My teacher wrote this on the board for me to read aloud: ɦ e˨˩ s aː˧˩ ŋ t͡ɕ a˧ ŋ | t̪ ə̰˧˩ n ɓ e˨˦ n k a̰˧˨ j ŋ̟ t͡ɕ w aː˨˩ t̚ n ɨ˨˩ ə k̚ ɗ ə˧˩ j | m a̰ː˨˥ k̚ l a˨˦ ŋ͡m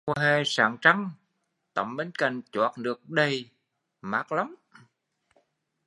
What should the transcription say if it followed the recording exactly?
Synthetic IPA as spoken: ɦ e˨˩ s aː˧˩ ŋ t͡ɕ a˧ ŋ | t̪ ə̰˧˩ m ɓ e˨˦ n k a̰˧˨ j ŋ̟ t͡ɕ w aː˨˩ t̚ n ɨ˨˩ ə k̚ ɗ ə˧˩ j | m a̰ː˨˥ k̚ l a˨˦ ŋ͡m